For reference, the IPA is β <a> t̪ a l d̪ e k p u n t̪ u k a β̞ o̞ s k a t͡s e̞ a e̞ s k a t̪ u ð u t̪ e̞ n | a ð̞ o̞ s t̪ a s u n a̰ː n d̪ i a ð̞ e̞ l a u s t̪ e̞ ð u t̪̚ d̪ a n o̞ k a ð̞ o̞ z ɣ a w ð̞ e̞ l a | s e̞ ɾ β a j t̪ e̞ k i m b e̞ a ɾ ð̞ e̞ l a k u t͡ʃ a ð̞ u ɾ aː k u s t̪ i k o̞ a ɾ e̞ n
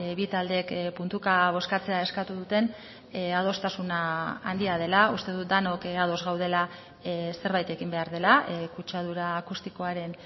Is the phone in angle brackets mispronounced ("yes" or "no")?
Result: yes